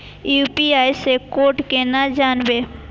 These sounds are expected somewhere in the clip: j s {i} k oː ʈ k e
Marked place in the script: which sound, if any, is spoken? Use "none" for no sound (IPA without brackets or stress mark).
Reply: e